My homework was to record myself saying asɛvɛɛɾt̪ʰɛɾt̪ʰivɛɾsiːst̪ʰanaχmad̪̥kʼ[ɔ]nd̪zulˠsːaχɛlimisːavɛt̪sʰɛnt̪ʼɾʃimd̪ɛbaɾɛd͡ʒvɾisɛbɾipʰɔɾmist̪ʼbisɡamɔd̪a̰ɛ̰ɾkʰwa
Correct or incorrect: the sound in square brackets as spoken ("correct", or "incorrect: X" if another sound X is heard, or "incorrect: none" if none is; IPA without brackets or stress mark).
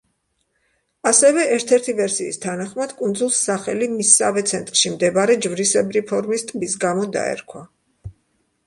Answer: incorrect: u